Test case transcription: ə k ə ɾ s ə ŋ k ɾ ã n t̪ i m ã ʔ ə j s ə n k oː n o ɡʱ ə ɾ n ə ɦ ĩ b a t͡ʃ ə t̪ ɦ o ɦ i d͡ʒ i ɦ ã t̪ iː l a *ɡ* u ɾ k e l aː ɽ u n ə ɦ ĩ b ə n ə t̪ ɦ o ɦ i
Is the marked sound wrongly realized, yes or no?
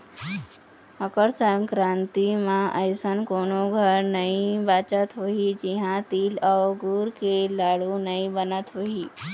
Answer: no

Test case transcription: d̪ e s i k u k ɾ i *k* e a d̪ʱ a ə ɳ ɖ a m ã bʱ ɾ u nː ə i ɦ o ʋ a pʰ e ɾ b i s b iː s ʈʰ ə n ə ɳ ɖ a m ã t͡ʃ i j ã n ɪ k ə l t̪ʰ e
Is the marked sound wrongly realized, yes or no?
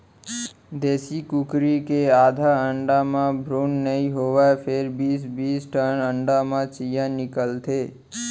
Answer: no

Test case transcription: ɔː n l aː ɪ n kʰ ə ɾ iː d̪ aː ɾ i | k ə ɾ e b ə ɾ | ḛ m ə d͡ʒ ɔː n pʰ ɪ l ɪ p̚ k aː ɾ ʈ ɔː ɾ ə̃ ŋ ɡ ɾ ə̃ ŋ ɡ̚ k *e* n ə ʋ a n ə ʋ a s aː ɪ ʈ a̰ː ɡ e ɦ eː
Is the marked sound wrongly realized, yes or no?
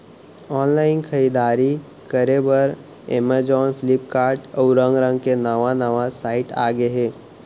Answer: no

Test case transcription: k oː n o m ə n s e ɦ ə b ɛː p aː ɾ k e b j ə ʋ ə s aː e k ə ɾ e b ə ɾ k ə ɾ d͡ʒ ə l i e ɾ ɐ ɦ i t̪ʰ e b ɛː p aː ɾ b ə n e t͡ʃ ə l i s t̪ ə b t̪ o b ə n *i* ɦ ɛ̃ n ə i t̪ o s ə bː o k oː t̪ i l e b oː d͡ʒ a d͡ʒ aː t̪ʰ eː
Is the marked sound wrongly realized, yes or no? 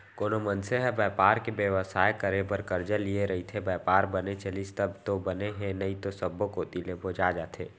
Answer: yes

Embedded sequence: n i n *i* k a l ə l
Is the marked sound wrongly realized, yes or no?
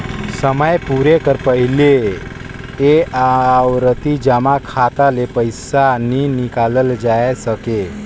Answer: no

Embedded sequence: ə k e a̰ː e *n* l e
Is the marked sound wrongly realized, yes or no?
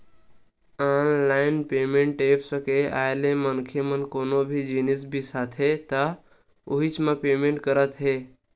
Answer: yes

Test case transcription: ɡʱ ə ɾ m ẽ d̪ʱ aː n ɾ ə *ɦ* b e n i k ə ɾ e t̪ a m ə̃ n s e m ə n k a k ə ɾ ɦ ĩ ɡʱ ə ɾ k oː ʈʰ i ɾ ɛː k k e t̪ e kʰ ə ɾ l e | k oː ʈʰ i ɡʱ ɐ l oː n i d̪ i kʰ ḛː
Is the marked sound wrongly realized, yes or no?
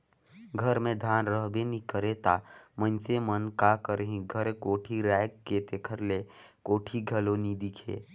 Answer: no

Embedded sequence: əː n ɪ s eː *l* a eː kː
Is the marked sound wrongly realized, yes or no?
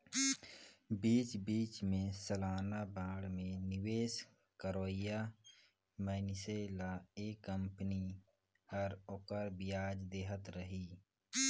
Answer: no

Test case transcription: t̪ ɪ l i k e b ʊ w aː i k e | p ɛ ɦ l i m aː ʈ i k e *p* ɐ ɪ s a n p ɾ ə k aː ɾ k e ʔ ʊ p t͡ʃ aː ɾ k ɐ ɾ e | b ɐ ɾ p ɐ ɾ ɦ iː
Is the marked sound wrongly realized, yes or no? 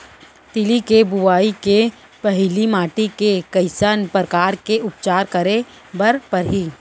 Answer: yes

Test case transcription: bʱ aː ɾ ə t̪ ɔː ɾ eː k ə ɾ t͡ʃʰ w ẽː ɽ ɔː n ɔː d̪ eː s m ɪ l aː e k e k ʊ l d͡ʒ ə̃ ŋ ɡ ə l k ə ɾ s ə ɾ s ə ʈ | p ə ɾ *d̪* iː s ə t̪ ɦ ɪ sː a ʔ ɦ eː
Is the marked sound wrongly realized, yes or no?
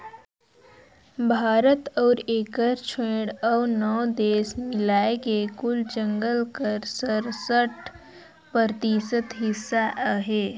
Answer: yes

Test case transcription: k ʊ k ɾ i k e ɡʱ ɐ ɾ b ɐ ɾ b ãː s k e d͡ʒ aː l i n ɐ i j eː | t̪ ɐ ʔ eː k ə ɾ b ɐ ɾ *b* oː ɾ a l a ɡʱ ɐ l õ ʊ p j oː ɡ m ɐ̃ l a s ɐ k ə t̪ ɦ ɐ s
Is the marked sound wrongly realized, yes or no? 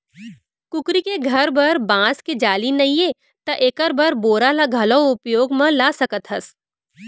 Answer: no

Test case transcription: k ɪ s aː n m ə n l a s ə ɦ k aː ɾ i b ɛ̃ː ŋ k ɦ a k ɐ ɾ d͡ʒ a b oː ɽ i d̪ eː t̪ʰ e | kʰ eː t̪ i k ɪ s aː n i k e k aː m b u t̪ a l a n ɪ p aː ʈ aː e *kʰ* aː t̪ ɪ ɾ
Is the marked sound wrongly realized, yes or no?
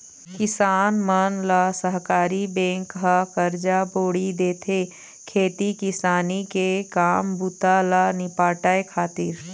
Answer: no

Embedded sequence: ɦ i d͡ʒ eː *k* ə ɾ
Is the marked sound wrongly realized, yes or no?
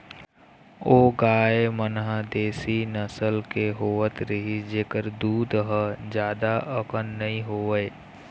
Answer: no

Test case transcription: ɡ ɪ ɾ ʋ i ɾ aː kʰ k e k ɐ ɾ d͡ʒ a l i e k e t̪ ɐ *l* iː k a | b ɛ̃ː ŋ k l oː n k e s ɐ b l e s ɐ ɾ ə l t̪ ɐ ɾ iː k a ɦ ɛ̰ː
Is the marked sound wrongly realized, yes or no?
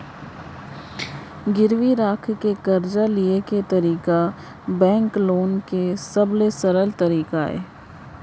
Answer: yes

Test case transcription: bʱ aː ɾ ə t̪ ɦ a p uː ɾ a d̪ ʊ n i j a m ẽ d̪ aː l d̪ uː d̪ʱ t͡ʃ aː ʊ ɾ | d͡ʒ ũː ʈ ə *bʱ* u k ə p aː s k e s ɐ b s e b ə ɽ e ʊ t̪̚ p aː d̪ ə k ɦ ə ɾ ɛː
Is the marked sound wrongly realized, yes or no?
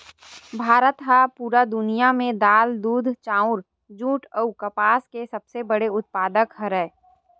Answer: yes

